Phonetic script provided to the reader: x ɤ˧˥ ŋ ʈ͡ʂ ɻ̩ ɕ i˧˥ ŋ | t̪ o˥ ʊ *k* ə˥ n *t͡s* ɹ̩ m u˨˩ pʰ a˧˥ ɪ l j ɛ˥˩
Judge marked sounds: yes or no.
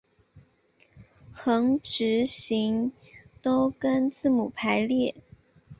yes, yes

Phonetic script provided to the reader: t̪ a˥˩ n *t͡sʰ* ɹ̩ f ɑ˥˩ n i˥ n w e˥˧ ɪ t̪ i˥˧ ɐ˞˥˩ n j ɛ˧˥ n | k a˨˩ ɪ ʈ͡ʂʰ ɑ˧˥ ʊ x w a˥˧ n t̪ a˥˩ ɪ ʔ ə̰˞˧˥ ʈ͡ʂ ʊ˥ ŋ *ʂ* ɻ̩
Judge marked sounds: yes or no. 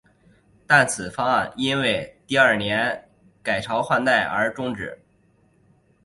yes, no

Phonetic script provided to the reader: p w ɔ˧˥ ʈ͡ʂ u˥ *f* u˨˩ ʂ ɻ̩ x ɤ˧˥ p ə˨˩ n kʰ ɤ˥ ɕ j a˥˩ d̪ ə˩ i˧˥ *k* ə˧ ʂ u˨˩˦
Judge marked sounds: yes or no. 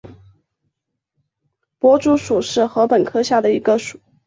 no, no

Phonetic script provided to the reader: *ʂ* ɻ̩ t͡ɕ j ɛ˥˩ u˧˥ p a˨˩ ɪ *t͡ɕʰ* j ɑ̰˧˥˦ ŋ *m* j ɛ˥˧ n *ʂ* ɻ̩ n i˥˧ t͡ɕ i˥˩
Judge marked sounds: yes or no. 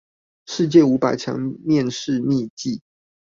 yes, yes, yes, yes

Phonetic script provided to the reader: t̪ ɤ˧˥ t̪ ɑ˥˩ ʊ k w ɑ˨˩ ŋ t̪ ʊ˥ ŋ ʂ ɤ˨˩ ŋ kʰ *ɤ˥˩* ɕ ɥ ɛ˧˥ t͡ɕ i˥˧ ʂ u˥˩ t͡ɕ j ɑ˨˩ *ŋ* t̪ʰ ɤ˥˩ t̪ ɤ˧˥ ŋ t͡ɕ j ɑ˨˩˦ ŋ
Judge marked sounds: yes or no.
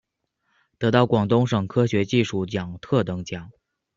no, yes

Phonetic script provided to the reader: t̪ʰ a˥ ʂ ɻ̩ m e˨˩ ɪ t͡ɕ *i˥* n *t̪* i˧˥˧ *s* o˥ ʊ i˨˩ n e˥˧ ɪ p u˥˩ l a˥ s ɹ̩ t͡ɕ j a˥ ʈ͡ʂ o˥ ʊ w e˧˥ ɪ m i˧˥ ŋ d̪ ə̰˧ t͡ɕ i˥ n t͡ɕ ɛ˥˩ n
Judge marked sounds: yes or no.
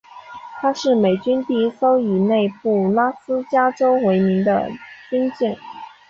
no, yes, yes

